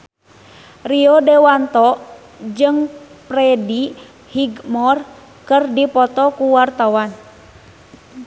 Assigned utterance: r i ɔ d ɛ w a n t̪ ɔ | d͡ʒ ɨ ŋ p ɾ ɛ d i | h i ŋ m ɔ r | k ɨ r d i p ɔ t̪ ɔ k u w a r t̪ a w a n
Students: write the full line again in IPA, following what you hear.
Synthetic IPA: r i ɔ d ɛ w a n t̪ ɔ | d͡ʒ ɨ ŋ p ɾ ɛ d i | h i ɡ m ɔ r | k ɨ r d i p ɔ t̪ ɔ k u w a r t̪ a w a n